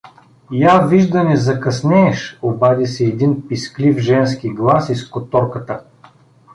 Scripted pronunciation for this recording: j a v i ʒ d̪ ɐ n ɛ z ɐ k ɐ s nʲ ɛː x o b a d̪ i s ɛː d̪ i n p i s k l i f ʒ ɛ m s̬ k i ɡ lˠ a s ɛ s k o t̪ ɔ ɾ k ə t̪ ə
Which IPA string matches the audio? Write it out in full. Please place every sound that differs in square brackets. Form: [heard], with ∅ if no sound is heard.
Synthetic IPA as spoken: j a v i ʒ d̪ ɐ n ɛ z ɐ k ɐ s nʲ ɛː [ʃ] o b a d̪ i s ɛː d̪ i n p i s k l i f ʒ ɛ [n] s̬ k i ɡ lˠ a s [i] s k o t̪ ɔ ɾ k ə t̪ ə